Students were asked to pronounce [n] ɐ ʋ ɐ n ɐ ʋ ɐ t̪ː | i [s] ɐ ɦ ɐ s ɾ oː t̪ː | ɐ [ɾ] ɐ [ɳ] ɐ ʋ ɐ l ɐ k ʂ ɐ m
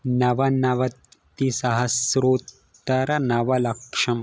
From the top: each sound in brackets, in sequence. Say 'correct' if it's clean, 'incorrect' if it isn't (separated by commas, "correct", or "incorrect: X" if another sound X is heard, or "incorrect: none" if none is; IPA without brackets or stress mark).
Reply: correct, correct, correct, incorrect: n